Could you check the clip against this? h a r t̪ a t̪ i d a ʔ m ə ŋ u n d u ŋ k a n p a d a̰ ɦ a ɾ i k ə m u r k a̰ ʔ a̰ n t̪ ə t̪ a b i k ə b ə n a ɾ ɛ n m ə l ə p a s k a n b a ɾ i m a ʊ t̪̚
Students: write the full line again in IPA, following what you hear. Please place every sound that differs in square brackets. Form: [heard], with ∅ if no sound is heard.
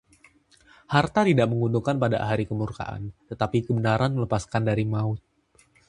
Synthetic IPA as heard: h a r t̪ a t̪ i d a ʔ m ə ŋ u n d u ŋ k a n p a d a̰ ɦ a ɾ i k ə m u r k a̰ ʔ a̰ n t̪ ə t̪ a [p] i k ə b ə n a ɾ [a] n m ə l ə p a s k a n [d] a ɾ i m a ʊ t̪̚